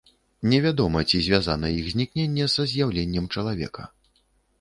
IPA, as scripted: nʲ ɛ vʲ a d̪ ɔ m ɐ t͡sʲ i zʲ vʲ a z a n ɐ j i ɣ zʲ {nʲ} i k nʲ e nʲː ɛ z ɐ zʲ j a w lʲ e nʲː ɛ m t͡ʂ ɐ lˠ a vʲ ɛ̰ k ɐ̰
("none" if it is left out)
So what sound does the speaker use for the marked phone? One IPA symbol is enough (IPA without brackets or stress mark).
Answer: nʲ